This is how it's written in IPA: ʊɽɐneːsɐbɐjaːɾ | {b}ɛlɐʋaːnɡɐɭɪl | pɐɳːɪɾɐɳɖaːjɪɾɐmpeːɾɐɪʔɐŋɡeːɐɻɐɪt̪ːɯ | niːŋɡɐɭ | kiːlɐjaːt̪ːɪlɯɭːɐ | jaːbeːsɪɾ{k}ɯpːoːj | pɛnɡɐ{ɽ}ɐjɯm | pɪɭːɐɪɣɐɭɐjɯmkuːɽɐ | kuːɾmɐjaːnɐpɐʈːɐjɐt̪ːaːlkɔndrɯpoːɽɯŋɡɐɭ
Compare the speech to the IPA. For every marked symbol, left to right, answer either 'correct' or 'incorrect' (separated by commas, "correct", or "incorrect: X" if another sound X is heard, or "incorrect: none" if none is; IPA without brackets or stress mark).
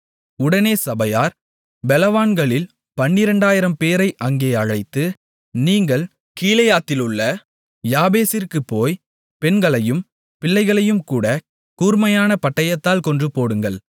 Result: correct, correct, incorrect: ɭ